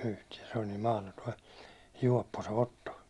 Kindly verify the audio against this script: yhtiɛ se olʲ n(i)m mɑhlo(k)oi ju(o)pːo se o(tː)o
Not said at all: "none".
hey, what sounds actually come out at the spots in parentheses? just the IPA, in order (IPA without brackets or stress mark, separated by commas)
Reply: iː, t, ɒ, tː